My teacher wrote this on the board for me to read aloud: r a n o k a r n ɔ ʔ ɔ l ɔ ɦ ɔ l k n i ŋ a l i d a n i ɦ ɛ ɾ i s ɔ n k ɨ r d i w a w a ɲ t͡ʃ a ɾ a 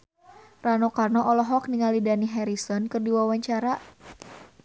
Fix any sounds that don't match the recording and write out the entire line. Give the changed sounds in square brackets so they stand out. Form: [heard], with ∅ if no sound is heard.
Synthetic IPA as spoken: r a n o k a r n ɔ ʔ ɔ l ɔ ɦ ɔ [∅] k n i ŋ a l i d a n i ɦ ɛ ɾ i s ɔ n k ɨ r d i w a w a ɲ t͡ʃ a ɾ a